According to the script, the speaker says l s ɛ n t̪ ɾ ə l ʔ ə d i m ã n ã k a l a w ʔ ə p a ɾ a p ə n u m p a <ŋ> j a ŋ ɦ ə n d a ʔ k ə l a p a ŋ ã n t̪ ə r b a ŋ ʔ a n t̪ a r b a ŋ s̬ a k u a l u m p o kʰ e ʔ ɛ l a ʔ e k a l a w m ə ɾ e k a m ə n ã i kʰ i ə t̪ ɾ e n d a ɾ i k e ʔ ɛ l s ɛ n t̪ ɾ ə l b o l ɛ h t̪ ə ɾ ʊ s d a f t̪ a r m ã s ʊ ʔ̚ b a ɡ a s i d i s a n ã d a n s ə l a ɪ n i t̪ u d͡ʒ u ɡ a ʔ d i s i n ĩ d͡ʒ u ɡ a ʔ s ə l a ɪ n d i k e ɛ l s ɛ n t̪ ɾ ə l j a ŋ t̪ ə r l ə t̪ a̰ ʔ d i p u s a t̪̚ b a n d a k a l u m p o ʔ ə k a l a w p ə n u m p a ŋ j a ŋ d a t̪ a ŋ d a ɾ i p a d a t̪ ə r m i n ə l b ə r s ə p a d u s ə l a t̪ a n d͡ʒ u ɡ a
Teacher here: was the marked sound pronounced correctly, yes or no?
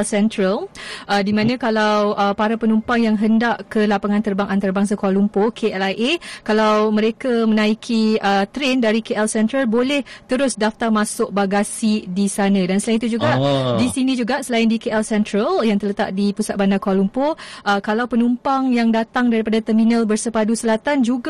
yes